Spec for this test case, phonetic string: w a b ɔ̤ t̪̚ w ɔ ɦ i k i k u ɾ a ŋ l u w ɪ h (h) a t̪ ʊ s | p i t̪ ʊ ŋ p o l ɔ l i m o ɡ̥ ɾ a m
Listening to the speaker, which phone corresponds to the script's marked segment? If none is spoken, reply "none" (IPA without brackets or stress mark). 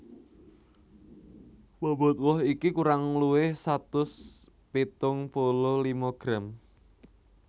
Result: s